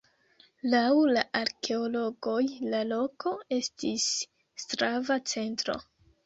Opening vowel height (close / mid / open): open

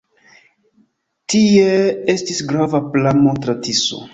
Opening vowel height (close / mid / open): close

